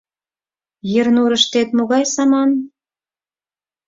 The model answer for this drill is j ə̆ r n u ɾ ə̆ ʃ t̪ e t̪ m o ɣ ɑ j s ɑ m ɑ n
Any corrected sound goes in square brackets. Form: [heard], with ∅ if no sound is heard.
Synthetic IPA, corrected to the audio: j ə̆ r n u ɾ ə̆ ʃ t̪ e t̪ m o ɣ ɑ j s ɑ m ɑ n

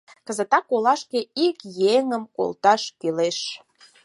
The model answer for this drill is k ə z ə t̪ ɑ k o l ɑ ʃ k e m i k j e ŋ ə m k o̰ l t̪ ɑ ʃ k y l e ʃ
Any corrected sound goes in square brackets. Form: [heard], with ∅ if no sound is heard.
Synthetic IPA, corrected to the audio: k ə z ə t̪ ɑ k o l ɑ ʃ k e [∅] i k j e ŋ ə m k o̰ l t̪ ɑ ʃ k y l e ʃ

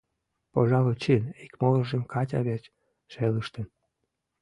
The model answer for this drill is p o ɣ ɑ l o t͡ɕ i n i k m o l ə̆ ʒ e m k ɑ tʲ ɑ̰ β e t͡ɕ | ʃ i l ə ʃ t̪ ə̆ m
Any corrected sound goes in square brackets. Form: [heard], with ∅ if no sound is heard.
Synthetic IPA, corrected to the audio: p o [ʒ] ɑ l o t͡ɕ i n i k m o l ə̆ ʒ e m k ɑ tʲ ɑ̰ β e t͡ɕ | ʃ [e] l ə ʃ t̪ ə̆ [n]

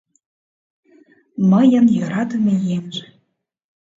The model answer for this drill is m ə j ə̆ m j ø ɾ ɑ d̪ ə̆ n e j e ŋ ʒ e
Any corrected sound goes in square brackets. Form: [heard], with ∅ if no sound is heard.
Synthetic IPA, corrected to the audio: m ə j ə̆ [n] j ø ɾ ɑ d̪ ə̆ [m] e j e [m] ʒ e

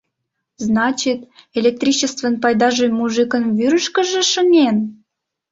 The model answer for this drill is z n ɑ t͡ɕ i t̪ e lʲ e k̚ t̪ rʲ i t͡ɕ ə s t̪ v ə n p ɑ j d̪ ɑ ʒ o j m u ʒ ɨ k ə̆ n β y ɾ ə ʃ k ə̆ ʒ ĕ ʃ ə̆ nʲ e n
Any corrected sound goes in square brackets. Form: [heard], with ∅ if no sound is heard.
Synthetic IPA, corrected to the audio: z n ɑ t͡ɕ i t̪ e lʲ e k̚ t̪ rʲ i t͡ɕ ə s t̪ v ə n p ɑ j d̪ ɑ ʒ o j m u ʒ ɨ k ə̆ n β y ɾ ə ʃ k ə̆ ʒ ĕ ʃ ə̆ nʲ e n

